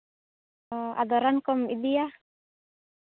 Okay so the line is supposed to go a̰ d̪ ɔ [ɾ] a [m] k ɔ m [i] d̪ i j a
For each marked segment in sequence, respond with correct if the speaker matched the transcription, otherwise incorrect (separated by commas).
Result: correct, incorrect, correct